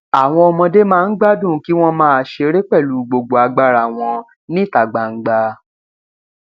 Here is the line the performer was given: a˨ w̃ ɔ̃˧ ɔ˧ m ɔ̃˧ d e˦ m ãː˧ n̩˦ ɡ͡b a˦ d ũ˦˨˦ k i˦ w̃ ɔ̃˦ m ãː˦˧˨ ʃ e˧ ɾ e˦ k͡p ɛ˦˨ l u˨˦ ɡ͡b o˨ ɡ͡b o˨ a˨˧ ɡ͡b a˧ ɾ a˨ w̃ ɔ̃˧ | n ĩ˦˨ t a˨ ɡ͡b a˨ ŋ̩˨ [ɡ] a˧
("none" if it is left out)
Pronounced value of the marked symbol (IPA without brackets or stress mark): ɡ͡b